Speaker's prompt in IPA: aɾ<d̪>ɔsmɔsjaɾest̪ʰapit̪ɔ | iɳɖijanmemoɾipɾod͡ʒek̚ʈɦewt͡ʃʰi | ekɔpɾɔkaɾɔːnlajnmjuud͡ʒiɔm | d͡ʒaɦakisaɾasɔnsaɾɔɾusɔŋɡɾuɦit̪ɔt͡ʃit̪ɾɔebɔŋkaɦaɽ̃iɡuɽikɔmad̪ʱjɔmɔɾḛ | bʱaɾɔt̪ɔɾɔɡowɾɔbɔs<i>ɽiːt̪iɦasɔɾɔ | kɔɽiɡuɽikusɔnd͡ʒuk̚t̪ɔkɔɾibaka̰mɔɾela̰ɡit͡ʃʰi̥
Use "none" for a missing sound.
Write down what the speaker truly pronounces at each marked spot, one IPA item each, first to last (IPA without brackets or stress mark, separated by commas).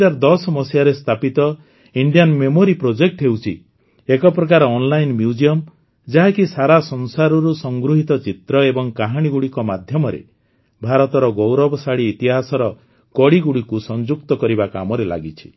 d̪, a